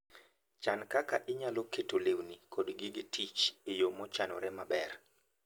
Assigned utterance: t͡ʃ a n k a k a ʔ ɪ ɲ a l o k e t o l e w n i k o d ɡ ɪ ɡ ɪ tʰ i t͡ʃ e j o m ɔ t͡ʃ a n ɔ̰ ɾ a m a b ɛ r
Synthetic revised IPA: t͡ʃ a n k a k a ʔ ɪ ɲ a l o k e t o l e w n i k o d ɡ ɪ ɡ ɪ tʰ i t͡ʃ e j o m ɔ t͡ʃ a n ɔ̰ ɾ ɛ m a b ɛ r